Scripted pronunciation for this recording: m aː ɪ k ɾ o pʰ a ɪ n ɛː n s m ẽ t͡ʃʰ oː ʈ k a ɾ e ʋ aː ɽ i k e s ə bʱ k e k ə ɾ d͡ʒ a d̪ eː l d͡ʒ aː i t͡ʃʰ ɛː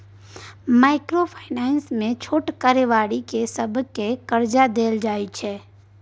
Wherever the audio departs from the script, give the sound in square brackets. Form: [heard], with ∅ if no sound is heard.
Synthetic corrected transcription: m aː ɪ k ɾ o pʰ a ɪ n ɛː n s m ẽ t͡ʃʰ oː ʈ k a ɾ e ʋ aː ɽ i k e s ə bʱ k e k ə ɾ d͡ʒ a d̪ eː l d͡ʒ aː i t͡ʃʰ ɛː